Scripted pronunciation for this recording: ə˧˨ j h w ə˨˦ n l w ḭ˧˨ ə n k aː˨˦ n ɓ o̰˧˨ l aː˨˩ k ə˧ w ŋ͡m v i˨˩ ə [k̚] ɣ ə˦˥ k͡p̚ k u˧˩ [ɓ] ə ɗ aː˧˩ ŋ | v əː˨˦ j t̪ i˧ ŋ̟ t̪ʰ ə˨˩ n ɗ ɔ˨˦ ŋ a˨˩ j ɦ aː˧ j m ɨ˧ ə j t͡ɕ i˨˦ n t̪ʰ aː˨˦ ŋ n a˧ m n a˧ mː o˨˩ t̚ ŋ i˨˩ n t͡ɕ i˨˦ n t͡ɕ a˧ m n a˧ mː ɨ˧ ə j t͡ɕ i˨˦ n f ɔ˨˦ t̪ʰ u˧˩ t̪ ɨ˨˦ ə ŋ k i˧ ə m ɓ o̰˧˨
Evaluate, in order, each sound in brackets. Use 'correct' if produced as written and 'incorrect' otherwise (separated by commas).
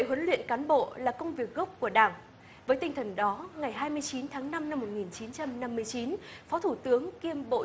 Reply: correct, incorrect